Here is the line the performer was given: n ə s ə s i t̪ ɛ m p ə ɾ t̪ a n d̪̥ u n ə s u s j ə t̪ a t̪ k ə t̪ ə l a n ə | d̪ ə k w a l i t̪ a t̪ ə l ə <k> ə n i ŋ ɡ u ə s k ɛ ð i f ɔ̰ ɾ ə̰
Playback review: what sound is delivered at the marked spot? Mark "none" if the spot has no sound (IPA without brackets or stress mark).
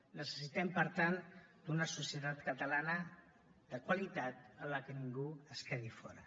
k